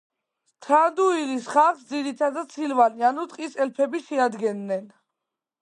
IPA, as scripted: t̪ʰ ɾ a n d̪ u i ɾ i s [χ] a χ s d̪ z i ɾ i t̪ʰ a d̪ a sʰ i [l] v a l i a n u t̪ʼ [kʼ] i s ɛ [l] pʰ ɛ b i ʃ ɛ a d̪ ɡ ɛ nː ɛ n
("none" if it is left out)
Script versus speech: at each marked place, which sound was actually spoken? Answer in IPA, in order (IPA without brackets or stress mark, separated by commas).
χ, l, qʼ, l